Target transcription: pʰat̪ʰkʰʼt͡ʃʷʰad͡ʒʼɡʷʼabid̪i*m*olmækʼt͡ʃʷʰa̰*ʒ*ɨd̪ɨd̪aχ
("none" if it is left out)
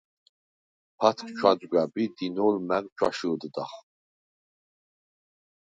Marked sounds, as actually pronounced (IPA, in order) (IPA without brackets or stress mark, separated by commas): n, ʃ